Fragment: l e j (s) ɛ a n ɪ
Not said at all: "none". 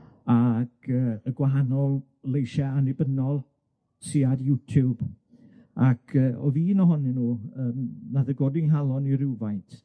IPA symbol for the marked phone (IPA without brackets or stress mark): ʃ